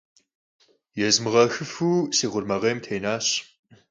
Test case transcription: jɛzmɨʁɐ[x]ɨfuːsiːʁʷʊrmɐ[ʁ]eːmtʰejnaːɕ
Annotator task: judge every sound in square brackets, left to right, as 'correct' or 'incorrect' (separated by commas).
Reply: correct, correct